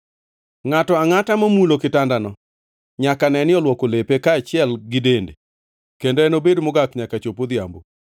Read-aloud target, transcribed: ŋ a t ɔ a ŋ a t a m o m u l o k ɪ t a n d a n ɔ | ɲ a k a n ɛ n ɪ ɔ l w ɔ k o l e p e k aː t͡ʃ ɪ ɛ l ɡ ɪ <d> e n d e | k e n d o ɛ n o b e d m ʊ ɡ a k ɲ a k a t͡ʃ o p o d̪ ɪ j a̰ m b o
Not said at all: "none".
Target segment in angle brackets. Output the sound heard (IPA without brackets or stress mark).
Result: d